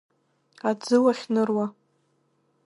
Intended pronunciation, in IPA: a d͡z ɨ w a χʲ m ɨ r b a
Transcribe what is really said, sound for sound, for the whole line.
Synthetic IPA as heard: a d͡z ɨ w a χʲ n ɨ r w a